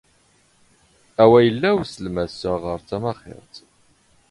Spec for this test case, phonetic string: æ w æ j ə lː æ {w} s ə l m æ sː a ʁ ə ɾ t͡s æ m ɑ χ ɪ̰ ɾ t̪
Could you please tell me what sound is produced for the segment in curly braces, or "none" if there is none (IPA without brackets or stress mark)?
w